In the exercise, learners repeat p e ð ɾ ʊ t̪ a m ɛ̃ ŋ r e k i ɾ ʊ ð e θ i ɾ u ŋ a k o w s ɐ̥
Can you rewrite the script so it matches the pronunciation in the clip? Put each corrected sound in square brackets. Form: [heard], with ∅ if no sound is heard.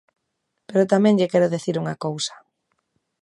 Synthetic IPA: p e [∅] ɾ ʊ t̪ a m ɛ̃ ŋ [ʎ] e k [ɛ] ɾ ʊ ð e θ i ɾ u ŋ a k o w s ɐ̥